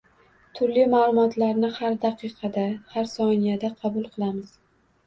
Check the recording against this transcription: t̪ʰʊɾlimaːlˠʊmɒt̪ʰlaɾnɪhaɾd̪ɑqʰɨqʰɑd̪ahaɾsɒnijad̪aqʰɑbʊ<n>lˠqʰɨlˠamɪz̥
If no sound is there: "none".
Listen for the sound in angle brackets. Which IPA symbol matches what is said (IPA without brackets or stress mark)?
none